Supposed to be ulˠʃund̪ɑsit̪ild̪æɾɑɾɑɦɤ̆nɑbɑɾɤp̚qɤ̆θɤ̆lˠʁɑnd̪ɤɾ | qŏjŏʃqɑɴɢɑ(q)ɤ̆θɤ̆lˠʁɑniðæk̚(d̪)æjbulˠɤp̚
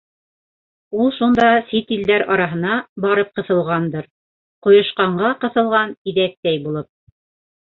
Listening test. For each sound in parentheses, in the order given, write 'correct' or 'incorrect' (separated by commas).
correct, incorrect